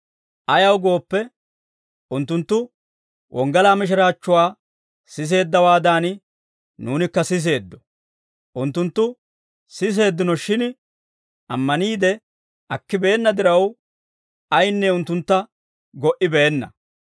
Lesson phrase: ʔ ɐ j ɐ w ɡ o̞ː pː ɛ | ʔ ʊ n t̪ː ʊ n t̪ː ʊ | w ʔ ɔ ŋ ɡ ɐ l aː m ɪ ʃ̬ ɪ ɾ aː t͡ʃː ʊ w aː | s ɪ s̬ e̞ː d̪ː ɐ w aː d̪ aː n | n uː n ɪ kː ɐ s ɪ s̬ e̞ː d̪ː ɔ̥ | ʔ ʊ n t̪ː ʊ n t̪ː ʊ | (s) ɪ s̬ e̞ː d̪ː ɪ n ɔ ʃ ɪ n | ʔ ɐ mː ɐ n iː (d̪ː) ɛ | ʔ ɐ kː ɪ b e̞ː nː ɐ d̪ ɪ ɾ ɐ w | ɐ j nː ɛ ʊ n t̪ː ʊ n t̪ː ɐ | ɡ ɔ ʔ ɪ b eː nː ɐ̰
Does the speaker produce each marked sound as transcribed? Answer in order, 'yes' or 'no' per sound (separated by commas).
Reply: yes, no